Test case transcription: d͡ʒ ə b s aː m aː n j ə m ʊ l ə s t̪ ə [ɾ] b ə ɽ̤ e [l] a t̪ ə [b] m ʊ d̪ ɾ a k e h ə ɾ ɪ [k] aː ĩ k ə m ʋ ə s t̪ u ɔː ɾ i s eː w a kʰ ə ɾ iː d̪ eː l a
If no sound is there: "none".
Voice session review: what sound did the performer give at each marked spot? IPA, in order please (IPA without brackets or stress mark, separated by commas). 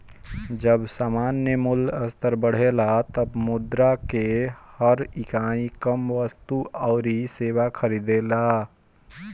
ɾ, l, b, k